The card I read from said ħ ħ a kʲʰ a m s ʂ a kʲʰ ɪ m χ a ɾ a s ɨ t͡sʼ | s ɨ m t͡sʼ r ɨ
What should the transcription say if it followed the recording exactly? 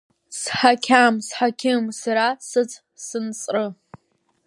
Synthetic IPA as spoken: s ħ a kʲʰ a m s ħ a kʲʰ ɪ m s a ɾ a s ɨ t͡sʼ | s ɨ n t͡sʼ r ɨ